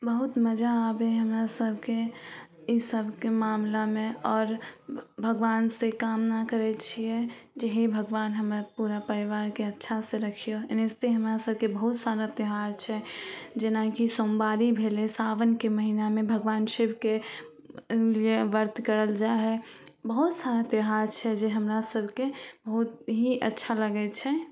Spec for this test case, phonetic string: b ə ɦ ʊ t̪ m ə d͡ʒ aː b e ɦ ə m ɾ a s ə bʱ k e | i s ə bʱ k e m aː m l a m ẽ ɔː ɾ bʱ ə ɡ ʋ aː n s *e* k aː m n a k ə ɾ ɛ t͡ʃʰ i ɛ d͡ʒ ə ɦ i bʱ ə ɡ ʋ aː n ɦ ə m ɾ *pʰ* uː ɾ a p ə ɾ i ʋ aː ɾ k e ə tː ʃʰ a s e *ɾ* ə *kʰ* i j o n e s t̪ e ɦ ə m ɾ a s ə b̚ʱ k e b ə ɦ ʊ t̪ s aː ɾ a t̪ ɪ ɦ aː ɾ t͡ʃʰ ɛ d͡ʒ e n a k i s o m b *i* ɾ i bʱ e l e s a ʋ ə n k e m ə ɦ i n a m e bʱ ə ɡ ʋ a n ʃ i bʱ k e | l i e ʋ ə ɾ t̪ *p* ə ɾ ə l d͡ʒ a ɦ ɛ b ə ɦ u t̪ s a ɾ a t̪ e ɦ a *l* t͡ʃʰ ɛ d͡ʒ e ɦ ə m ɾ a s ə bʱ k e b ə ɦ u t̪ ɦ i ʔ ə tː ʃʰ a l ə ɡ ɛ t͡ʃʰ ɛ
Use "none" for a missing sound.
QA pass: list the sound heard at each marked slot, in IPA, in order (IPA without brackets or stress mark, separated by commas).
e, p, ɾ, kʰ, a, k, ɾ